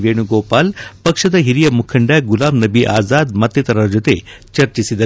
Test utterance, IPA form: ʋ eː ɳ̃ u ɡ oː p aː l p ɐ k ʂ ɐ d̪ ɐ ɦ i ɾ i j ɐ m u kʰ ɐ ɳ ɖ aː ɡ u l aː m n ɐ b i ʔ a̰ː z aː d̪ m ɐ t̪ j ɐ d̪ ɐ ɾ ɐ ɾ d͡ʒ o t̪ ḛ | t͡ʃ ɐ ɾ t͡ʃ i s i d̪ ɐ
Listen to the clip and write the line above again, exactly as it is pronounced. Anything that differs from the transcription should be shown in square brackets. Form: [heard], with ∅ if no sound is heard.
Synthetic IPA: ʋ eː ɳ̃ u ɡ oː p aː l p ɐ k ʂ ɐ d̪ ɐ ɦ i ɾ i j ɐ m u kʰ ɐ ɳ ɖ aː ɡ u l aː m n ɐ b i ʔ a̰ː z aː d̪ m ɐ t̪ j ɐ [t̪] ɐ ɾ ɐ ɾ d͡ʒ o t̪ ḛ | t͡ʃ ɐ ɾ t͡ʃ i s i d̪ ɐ